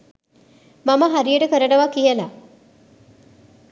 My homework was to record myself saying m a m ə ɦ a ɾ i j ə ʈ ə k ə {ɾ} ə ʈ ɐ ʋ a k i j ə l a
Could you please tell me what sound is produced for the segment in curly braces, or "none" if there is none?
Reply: ɾ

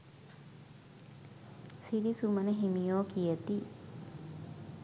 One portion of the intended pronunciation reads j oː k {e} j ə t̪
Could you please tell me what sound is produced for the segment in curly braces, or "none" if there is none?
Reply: i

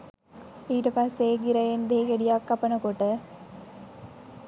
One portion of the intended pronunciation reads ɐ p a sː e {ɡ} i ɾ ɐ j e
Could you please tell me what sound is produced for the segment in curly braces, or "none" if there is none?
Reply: ɡ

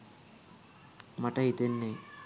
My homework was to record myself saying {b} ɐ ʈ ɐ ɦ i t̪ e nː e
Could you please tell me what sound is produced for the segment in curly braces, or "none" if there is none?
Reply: m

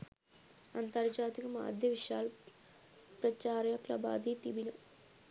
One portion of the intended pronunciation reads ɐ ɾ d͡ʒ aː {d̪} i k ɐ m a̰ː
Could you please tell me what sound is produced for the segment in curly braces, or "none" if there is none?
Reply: t̪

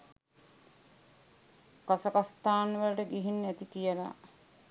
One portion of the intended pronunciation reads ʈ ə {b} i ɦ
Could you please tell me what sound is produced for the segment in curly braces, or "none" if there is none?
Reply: ɡ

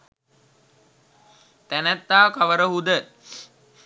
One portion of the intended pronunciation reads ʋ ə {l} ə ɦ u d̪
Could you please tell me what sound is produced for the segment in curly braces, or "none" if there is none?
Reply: ɾ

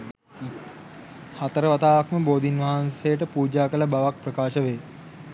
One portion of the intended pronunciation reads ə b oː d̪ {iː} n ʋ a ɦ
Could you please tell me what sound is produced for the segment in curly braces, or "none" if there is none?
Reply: i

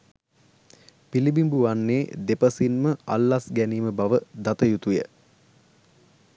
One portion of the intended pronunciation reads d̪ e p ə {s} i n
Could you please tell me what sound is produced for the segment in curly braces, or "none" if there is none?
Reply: s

